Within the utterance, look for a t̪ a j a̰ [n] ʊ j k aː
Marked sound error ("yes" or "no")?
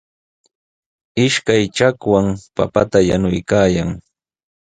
no